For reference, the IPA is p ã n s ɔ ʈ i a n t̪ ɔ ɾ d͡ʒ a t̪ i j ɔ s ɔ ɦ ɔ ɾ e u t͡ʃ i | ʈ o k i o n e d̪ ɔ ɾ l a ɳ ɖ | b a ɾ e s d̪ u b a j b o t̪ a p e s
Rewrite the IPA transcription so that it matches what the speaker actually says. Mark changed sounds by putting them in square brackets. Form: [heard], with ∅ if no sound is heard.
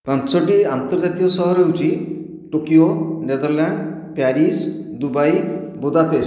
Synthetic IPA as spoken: p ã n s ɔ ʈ i a n t̪ ɔ ɾ d͡ʒ a t̪ i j ɔ s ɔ ɦ ɔ ɾ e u t͡ʃ i | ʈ o k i o n e d̪ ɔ ɾ l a ɳ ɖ | [p] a ɾ [i] s d̪ u b a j b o [d̪] a p e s